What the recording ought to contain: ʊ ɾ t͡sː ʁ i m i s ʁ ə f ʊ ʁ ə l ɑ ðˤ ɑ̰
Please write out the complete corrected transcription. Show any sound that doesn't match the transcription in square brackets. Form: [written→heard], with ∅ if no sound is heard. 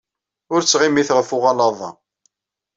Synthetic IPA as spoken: ʊ ɾ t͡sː ʁ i m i [s→θ] ʁ ə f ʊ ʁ [ə→ɑ] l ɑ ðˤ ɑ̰

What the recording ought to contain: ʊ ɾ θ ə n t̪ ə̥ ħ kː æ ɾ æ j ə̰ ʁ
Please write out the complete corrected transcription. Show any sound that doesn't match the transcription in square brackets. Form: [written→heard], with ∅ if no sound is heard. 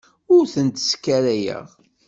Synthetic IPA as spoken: ʊ ɾ θ ə n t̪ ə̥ [ħ→s] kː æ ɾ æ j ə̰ ʁ

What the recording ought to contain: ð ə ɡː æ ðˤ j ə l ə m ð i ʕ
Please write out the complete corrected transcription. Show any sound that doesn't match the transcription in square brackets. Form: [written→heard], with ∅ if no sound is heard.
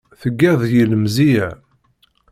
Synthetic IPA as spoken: [ð→θ] ə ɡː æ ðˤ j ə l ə m [ð→z] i ʕ

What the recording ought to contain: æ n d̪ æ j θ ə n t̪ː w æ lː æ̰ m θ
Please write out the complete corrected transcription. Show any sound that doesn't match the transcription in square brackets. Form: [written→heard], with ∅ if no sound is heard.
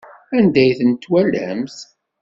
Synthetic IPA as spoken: æ n d̪ æ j θ ə n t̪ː w æ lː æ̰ m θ

